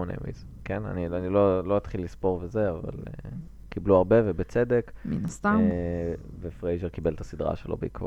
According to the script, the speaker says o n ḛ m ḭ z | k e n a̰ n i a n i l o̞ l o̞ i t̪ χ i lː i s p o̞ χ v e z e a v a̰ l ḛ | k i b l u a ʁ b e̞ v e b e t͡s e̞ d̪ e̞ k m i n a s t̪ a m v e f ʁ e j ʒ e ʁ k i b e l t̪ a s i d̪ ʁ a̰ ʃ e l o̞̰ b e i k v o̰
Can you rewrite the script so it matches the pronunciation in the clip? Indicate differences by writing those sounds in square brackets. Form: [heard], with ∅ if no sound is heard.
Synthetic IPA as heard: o n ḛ m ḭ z | k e n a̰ n i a n i l o̞ l o̞ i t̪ χ i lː i s p o̞ [ʁ] v e z e a v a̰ l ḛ | k i b l u a ʁ b e̞ v e b e t͡s e̞ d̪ e̞ k m i n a s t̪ a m v e f ʁ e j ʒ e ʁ k i b e l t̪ a s i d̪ ʁ a̰ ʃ e l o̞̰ b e i k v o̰